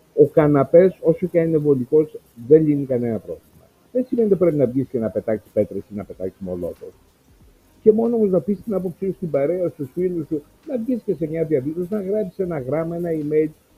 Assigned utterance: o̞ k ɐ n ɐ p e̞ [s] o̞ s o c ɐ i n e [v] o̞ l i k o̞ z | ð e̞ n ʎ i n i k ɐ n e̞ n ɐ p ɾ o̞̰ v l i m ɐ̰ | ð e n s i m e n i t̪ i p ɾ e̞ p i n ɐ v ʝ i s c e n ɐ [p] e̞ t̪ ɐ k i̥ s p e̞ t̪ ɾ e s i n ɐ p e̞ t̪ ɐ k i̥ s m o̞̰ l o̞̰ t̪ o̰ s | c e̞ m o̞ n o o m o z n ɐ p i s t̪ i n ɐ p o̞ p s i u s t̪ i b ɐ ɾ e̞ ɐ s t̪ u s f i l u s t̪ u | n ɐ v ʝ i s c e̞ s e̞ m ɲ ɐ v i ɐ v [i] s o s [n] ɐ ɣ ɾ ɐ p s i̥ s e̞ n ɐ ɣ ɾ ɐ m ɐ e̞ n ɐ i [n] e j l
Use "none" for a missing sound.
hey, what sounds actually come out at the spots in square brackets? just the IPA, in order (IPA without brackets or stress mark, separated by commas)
s, v, p, i, n, m